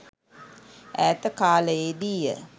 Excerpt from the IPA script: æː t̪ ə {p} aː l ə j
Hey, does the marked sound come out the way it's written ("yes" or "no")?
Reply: no